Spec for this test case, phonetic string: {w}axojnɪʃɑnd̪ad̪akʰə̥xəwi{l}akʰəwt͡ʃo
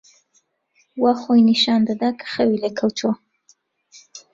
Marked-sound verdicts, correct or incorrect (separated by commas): correct, correct